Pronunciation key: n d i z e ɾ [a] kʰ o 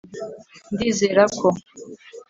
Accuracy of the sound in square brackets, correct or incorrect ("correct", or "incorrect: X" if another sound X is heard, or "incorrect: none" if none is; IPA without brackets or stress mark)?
correct